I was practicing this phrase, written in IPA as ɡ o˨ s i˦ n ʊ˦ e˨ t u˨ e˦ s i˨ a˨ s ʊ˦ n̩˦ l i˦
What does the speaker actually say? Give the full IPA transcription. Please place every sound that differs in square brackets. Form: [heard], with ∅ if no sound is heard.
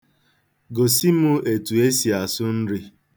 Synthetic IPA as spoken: ɡ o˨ s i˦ [m] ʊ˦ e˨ t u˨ e˦ s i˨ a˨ s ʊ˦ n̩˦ [ɾ] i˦